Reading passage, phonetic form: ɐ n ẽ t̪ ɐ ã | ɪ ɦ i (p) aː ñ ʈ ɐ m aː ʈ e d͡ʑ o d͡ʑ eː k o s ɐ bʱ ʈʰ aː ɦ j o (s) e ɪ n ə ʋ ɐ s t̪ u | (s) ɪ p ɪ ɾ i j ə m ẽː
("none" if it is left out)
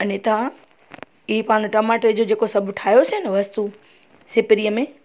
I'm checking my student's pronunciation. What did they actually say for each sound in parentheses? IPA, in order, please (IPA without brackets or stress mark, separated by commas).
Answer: p, s, s